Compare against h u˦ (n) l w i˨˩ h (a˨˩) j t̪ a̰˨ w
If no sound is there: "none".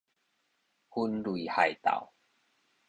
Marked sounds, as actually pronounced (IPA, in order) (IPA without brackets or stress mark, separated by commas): n, a˨˩